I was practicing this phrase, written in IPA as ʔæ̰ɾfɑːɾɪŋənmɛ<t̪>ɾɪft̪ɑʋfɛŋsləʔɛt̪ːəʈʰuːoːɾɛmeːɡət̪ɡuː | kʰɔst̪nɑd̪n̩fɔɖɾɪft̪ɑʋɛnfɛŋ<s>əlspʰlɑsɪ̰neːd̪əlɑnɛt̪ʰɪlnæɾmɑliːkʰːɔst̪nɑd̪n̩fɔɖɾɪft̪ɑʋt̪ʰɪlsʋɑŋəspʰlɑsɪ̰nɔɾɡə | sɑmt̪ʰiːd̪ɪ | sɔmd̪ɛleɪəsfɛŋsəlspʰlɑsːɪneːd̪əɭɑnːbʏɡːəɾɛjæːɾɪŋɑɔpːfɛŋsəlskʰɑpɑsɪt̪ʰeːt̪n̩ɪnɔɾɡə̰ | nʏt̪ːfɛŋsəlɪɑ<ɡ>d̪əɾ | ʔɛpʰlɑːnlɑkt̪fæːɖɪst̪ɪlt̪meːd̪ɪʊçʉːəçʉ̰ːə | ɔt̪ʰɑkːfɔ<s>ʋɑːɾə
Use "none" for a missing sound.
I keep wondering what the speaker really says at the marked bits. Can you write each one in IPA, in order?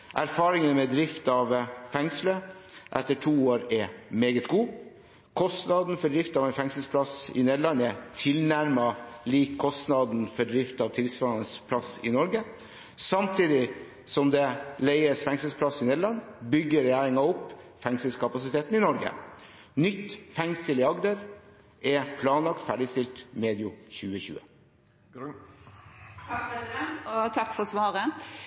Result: d̪, s, ɡ, s

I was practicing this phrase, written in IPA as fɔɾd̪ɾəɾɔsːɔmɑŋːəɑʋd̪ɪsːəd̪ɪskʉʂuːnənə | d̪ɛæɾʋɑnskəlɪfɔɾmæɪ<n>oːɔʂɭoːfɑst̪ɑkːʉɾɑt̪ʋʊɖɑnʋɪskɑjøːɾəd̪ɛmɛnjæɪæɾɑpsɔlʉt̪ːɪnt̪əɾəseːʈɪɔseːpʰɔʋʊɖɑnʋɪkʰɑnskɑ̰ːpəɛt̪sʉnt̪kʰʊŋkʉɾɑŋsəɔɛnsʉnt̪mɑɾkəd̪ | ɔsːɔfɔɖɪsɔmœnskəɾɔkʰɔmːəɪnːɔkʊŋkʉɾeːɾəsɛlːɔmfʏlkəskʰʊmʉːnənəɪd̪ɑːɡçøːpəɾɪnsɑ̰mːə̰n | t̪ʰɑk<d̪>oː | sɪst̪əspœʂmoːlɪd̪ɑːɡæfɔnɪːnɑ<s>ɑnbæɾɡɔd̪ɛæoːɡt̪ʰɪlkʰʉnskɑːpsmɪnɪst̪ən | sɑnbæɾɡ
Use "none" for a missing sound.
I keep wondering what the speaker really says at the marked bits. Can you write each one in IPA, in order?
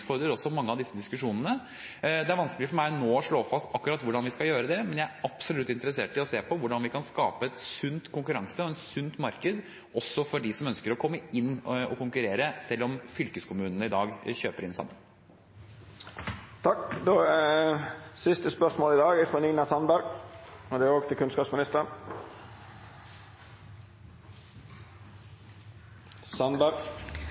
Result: n, d̪, s

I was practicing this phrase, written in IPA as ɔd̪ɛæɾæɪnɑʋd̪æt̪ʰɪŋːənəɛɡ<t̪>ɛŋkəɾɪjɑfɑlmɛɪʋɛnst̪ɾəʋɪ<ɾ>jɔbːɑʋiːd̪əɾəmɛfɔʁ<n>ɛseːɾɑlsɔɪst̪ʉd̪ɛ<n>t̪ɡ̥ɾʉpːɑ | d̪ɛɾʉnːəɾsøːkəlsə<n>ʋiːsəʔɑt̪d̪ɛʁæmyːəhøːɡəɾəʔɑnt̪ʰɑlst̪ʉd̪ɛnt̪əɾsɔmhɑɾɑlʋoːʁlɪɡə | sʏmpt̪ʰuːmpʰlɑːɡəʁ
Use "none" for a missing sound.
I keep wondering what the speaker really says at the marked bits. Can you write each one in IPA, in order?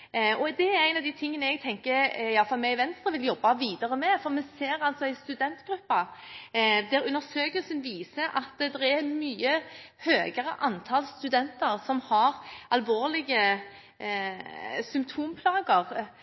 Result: t̪ʰ, l, m, n, n

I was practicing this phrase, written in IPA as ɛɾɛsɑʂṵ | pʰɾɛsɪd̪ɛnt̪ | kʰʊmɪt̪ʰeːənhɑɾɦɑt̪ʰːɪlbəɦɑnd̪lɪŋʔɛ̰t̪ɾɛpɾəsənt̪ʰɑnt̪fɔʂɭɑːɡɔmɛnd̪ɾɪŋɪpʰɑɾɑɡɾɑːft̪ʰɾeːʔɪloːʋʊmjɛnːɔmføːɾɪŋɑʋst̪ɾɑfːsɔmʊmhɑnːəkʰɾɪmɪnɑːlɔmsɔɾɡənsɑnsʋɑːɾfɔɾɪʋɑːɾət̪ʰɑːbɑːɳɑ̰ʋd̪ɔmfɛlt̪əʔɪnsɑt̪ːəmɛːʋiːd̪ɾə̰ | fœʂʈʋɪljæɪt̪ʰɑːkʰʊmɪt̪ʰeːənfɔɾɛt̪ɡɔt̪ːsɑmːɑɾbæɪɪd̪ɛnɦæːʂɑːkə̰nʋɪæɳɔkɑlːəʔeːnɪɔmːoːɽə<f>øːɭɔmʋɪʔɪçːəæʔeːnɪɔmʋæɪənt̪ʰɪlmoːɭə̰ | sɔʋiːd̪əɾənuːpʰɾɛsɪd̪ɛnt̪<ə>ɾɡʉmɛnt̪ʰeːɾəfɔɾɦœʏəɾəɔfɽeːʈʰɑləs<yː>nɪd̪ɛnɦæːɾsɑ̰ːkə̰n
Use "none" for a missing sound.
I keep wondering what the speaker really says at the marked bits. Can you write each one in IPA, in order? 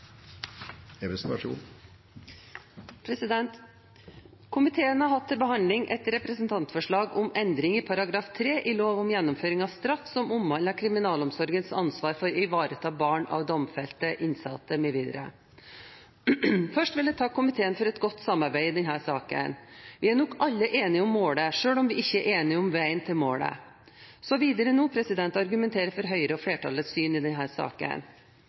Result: ʂ, ɑ, yː

